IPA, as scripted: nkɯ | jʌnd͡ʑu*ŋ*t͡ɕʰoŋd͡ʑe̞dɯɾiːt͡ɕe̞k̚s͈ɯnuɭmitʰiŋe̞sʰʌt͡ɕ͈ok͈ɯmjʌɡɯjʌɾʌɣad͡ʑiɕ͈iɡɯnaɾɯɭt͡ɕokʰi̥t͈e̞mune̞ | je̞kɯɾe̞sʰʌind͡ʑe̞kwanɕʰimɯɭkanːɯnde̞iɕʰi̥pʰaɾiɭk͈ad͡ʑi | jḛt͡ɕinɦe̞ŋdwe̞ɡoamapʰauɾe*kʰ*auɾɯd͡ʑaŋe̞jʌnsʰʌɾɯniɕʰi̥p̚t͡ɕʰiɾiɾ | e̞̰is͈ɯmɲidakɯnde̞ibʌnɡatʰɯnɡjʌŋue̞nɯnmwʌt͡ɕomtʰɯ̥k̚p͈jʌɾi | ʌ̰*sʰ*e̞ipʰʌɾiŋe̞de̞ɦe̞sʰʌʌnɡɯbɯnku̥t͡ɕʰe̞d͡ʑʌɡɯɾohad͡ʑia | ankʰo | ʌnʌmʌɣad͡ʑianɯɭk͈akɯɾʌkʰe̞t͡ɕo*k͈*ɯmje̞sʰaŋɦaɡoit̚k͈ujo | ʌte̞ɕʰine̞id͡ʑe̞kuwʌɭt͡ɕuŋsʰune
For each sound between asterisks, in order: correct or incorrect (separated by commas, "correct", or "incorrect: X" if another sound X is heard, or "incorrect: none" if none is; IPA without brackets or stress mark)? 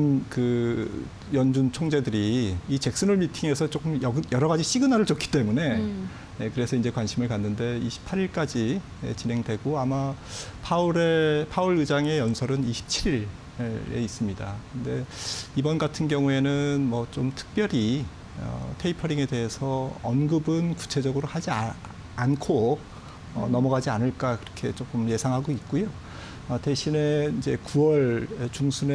incorrect: n, incorrect: pʰ, incorrect: tʰ, correct